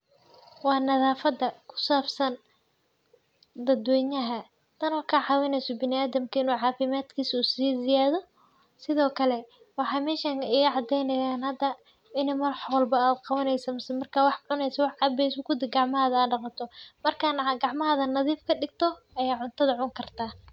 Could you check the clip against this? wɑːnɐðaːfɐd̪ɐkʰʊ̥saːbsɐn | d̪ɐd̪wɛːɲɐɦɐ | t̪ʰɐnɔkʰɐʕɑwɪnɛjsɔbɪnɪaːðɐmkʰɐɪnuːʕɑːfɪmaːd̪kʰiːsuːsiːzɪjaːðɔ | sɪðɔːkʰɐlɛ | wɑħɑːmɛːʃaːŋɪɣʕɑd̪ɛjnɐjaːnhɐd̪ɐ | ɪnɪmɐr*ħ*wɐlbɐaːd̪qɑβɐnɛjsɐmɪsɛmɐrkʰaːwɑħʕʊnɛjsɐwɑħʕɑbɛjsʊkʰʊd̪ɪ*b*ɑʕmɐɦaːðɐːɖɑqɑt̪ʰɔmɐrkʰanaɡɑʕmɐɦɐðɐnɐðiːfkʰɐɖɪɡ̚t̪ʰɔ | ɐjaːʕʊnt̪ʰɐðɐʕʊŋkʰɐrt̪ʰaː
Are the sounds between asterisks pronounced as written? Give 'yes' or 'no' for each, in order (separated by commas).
yes, no